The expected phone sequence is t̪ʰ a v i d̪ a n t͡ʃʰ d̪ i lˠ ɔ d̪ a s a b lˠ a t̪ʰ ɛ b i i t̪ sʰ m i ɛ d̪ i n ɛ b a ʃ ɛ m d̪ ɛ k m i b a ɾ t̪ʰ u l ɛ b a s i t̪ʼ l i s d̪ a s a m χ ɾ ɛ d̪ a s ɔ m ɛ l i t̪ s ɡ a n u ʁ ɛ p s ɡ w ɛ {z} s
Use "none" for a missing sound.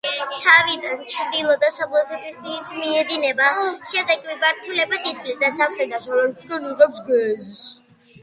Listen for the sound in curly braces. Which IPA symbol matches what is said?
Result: z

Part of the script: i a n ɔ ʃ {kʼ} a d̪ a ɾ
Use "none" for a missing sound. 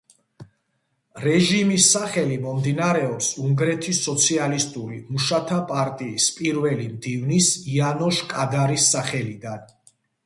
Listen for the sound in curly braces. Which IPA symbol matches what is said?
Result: kʼ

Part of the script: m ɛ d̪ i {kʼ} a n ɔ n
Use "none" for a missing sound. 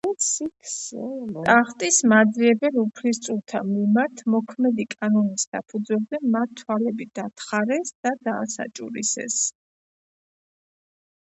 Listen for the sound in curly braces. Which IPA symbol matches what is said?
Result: kʼ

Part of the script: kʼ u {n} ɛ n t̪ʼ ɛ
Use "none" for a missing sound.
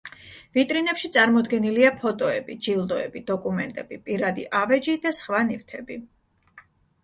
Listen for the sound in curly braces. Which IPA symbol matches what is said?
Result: m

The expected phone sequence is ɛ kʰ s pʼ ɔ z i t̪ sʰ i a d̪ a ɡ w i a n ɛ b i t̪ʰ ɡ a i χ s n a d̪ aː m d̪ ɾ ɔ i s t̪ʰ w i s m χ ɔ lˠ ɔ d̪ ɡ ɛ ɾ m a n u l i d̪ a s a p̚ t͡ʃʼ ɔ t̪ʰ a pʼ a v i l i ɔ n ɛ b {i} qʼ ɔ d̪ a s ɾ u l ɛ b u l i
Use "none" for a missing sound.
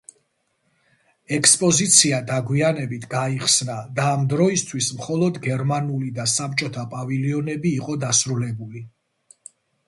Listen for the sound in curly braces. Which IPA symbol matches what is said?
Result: iː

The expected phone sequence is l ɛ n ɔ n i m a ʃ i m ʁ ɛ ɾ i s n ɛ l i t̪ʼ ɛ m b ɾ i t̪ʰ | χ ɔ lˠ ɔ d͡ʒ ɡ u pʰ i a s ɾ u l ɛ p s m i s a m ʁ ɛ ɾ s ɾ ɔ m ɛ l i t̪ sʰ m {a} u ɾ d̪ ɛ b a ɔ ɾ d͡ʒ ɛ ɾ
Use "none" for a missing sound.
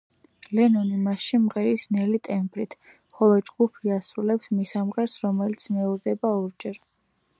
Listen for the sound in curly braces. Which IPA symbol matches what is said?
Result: ɛ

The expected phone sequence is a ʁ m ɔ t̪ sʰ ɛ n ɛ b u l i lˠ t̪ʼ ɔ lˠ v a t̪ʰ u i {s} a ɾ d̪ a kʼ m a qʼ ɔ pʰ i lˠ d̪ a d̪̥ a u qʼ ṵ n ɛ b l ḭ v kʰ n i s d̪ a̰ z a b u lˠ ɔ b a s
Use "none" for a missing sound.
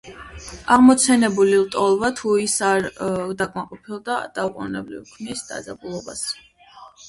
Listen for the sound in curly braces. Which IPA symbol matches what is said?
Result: s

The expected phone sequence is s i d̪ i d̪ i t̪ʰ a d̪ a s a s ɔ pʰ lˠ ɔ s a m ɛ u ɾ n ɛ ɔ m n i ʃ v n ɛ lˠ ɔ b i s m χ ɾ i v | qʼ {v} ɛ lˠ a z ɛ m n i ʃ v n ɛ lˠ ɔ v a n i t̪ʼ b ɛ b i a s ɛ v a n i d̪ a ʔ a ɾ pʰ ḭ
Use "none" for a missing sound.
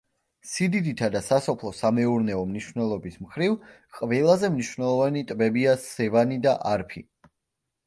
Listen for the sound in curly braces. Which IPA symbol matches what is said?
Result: v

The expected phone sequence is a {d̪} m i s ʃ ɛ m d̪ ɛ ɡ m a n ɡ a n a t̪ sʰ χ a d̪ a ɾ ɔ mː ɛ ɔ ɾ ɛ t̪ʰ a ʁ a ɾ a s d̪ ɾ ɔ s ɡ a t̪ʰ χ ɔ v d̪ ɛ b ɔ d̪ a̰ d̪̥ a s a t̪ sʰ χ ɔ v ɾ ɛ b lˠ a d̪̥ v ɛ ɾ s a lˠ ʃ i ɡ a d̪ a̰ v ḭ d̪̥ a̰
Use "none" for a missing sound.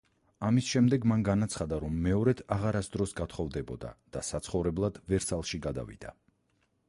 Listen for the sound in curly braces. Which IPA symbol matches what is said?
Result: none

